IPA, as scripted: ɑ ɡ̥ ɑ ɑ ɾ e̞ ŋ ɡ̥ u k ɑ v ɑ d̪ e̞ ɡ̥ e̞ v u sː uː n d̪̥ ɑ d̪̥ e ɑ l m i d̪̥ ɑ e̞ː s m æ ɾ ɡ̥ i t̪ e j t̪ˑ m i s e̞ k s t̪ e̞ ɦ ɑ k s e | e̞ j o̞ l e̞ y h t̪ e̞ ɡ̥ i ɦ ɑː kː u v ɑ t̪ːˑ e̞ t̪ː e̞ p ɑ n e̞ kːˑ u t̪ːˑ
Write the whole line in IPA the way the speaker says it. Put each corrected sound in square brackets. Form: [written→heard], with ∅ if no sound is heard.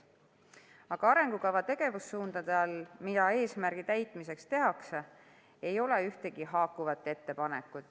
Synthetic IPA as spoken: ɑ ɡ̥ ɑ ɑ ɾ e̞ ŋ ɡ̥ u k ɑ v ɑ [d̪→t̪] e̞ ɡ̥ e̞ v u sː uː n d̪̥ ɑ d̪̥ e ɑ l m i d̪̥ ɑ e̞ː s m æ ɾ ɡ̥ i t̪ [e→æ] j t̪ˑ m i s e̞ k s t̪ e̞ ɦ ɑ k s e | e̞ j o̞ l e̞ y h t̪ e̞ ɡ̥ i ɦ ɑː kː u v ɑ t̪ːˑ e̞ t̪ː e̞ p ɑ n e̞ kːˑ u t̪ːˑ